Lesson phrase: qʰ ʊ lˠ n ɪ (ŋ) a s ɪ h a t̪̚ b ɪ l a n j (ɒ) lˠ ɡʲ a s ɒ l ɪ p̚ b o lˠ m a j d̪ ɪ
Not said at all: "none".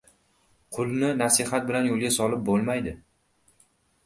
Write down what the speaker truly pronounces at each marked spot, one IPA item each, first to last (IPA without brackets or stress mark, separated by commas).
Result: n, o